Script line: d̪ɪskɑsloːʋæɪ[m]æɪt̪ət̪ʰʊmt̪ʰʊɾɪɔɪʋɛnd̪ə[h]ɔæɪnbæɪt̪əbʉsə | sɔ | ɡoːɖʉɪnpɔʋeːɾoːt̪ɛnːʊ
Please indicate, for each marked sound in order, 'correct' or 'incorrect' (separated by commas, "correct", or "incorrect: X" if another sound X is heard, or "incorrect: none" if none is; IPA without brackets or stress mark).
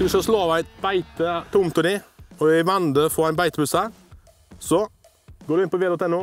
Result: incorrect: b, incorrect: f